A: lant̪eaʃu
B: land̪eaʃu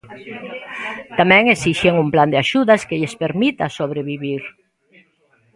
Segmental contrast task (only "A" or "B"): B